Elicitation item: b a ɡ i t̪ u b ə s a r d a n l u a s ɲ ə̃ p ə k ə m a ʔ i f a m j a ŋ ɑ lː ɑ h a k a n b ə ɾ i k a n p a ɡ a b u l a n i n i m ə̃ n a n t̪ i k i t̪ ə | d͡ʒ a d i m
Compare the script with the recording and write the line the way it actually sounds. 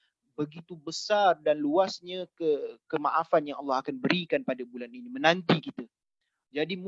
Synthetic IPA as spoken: b ə ɡ i t̪ u b ə s a r d a n l u a s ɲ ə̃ k ə k ə m a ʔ a f a n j a ŋ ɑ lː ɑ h a k a n b ə ɾ i k a n p a d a b u l a n i n i m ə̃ n a n t̪ i k i t̪ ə | d͡ʒ a d i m